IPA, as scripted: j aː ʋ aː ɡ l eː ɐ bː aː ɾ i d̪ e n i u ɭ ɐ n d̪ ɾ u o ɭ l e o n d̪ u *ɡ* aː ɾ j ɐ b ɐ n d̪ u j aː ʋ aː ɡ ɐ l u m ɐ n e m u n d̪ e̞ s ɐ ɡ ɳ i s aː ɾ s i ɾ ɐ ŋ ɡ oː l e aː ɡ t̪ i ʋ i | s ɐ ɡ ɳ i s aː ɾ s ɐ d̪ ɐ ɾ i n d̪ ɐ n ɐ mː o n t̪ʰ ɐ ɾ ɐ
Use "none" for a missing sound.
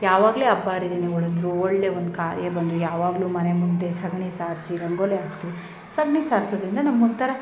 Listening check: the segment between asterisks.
k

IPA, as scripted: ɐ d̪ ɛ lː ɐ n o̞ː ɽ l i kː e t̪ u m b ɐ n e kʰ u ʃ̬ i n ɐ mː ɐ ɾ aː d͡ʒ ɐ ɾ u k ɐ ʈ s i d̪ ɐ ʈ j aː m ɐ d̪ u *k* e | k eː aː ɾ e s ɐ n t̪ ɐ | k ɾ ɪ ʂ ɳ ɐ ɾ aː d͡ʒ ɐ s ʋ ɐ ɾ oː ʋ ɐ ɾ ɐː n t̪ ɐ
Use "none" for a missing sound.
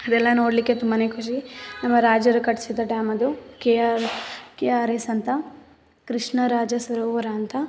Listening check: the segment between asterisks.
k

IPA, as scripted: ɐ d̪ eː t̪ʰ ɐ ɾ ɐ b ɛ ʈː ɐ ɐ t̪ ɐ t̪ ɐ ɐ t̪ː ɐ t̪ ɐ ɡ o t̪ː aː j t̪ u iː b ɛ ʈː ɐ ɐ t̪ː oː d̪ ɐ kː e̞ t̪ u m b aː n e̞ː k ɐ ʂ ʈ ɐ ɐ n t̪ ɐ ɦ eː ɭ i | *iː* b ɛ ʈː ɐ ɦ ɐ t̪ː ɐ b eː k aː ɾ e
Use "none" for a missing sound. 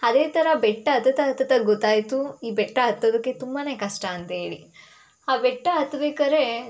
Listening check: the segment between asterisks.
aː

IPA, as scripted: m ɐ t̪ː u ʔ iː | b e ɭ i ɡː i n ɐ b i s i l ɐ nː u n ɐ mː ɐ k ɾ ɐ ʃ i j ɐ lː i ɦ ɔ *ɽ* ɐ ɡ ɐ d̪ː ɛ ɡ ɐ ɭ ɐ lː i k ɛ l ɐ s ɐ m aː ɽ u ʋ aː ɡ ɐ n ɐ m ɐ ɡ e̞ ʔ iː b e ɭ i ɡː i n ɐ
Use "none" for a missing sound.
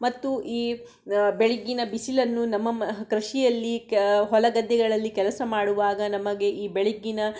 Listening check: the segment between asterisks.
l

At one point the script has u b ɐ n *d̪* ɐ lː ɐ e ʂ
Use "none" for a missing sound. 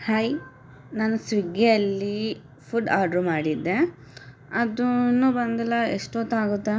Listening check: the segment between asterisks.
d̪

